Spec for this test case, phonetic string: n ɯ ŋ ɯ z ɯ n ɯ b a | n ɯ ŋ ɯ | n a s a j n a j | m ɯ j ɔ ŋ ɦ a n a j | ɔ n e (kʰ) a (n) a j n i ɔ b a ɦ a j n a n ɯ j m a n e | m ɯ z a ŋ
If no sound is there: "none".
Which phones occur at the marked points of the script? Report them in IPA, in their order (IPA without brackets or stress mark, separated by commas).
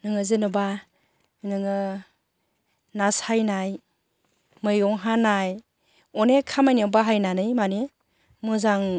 kʰ, m